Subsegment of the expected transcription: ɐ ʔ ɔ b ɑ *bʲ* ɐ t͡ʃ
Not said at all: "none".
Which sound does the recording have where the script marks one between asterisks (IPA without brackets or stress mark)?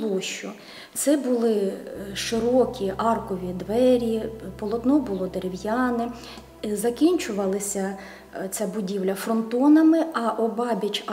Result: bʲ